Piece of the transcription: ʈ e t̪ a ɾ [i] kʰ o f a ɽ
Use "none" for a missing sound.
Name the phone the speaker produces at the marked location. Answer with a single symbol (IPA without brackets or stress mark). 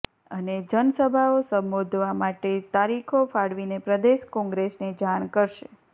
i